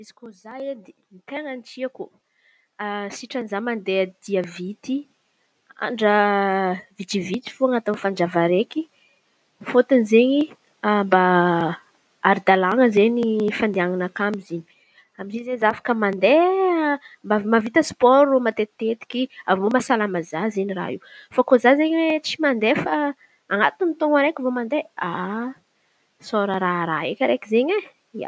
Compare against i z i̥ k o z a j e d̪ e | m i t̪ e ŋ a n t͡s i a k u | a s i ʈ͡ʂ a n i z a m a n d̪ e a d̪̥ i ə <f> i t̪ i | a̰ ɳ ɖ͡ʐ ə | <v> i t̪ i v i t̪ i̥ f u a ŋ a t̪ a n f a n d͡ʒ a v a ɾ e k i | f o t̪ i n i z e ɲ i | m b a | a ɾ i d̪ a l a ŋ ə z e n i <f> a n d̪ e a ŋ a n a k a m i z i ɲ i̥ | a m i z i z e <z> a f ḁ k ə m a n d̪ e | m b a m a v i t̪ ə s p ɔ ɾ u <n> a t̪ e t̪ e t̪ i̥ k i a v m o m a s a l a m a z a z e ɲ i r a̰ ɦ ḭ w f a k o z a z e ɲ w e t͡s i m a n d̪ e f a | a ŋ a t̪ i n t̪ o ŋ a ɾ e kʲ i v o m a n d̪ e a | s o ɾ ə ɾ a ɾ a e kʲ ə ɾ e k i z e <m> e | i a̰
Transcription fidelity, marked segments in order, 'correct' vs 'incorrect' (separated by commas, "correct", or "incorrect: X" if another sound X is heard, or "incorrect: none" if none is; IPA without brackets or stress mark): incorrect: v, correct, correct, correct, incorrect: m, incorrect: ɲ